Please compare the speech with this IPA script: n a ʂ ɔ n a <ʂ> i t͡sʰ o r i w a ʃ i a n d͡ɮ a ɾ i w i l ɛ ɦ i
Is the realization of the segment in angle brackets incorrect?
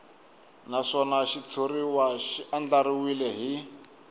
yes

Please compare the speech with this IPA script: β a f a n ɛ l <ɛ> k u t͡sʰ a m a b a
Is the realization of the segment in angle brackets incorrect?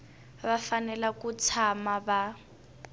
yes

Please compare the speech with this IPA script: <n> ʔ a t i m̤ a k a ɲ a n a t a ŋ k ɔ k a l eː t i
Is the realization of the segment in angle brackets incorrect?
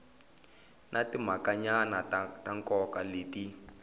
no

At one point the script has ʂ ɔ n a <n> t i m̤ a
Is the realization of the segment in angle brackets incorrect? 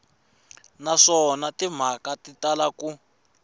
yes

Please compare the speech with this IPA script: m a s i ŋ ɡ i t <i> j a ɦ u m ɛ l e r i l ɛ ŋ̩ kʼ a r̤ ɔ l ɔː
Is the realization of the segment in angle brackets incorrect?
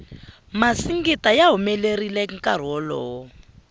yes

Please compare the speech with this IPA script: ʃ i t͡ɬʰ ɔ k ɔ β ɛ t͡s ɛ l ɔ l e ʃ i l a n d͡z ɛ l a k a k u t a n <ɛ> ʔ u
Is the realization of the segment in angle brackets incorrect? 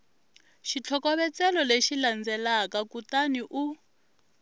yes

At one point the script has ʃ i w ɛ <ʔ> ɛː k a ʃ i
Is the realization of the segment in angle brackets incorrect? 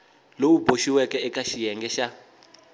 yes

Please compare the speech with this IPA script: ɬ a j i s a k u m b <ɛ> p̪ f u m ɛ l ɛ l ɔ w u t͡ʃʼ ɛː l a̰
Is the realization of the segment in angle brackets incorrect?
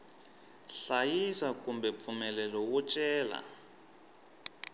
no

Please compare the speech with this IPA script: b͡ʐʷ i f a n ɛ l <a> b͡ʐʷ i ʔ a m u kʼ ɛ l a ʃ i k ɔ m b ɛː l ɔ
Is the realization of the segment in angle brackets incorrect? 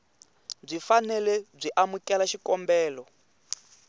yes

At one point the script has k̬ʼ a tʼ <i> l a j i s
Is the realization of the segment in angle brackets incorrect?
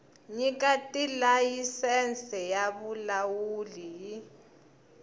no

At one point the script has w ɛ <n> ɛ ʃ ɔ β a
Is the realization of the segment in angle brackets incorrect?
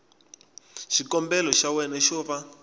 no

